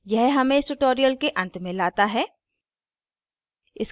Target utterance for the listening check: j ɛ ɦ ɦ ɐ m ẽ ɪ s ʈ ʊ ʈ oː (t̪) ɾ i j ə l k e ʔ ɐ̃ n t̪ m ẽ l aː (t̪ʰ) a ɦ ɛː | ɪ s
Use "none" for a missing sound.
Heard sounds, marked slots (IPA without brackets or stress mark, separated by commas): none, t̪